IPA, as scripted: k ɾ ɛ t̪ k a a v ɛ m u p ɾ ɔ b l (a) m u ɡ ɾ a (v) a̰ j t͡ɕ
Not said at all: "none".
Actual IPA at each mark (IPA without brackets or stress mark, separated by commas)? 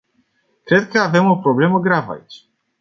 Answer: ɛ, v